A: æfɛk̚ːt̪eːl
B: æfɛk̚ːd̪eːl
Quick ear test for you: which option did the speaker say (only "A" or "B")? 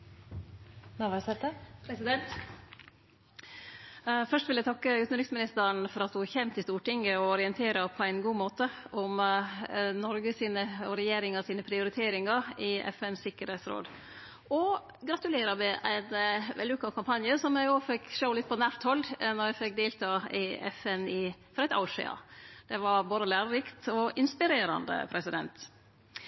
B